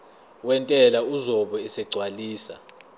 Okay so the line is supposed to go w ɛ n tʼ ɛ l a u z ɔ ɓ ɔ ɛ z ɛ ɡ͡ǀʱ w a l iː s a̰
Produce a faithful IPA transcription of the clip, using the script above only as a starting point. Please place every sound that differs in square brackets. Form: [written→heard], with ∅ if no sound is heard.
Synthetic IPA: w ɛ n tʼ ɛ l a u z ɔ ɓ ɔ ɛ [z→s] ɛ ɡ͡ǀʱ w a l iː s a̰